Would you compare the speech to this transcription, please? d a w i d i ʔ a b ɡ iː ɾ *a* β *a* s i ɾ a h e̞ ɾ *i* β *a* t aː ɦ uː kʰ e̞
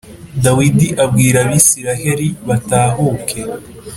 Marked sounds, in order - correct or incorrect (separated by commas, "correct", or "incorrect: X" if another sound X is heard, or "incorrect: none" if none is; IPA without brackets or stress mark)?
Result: correct, incorrect: i, correct, correct